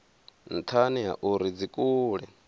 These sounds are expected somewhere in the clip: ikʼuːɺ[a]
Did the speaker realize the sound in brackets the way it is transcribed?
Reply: no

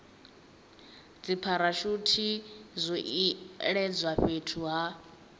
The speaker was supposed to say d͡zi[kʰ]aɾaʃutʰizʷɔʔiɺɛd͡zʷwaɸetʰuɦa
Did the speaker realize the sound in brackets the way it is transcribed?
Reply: no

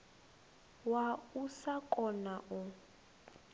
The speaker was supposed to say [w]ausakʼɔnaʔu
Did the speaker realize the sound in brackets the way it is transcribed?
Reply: yes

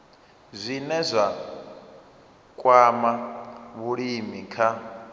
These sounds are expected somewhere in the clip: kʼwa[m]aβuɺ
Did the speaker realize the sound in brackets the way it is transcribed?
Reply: yes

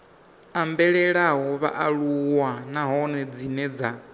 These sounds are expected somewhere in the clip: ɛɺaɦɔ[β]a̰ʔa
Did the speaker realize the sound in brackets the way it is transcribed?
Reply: yes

